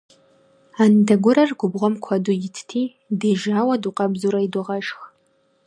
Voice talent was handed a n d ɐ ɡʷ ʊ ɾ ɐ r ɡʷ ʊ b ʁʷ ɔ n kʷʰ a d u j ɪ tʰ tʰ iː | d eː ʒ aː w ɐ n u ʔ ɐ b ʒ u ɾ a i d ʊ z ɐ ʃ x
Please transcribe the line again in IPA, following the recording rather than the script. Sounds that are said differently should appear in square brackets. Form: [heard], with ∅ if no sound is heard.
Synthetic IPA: a n d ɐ ɡʷ ʊ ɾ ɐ r ɡʷ ʊ b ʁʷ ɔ [m] kʷʰ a d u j ɪ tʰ tʰ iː | d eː ʒ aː w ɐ [d] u [q] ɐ b [z] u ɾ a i d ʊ [ʁ] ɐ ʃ x